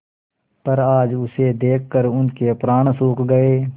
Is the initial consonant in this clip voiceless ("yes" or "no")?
yes